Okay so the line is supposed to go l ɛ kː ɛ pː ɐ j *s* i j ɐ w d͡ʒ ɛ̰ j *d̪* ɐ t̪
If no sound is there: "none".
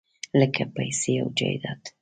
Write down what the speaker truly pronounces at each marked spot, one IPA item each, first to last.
s, d̪

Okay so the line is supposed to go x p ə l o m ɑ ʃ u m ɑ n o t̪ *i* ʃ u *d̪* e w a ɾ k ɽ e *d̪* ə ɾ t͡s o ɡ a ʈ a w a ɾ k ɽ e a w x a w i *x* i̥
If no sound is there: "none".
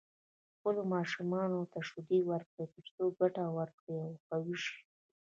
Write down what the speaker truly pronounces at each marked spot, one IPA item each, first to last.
a, d̪, t̪, ʃ

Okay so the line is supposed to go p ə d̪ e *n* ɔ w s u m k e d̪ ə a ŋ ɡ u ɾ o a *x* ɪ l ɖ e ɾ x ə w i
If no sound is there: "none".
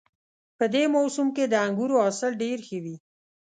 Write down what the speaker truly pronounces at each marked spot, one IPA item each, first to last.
m, s

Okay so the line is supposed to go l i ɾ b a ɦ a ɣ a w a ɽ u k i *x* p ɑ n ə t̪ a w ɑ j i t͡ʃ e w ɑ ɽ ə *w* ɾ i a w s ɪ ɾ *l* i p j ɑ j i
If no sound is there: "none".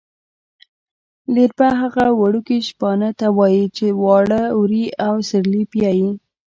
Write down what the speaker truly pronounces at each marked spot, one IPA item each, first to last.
ʃ, w, l

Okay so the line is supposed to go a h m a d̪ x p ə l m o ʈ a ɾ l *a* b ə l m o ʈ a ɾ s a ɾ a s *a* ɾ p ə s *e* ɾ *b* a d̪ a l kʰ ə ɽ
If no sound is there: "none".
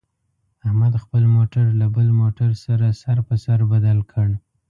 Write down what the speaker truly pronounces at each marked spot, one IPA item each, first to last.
a, a, a, b

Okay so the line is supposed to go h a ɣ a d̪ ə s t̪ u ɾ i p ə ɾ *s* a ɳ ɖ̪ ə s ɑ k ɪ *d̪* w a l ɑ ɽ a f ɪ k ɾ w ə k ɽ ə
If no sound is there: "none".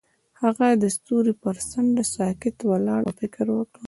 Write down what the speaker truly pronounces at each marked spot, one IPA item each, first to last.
s, t̪

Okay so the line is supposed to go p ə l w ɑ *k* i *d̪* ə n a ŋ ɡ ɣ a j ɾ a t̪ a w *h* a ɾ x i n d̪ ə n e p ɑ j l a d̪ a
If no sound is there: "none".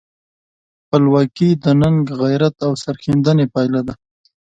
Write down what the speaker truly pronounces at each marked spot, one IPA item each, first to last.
k, d̪, s

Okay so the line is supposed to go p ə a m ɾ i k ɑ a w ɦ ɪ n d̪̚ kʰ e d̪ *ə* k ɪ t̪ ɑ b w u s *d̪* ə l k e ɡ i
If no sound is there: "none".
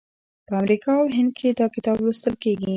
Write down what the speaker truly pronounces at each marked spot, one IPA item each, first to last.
ɑ, t̪

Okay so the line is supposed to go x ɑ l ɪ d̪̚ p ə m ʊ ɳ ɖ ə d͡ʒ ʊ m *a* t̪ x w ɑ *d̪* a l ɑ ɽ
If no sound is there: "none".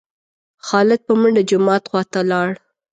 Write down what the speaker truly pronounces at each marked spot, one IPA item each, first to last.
ɑ, t̪

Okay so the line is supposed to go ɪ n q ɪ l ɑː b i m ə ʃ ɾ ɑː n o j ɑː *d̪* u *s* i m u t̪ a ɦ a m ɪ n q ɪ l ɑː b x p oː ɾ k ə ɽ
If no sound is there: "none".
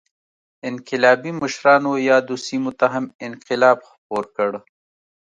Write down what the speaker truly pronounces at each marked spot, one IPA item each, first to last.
d̪, s

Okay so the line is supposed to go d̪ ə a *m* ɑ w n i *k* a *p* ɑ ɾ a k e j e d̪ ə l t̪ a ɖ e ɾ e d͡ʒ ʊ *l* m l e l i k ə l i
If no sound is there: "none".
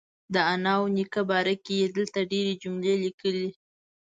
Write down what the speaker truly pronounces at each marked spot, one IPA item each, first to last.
n, k, b, none

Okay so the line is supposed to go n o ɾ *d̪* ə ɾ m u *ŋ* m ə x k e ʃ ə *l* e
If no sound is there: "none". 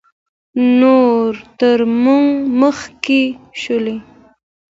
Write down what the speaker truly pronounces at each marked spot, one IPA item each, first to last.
t̪, ŋ, l

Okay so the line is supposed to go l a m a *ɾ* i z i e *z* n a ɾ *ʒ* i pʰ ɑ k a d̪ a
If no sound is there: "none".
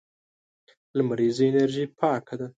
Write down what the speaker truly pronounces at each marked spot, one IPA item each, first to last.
ɾ, none, ʒ

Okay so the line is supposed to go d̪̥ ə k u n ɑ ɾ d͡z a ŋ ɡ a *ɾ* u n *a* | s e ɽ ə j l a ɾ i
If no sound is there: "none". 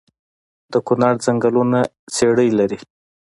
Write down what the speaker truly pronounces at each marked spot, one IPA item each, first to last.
l, a

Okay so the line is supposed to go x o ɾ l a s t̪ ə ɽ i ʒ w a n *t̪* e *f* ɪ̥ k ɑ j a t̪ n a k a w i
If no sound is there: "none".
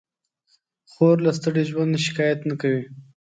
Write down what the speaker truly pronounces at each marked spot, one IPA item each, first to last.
d̪, ʃ

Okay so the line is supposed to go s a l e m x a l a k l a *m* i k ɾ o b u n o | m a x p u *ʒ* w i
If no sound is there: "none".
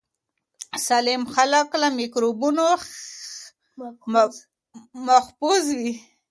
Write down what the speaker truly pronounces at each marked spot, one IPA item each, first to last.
m, z

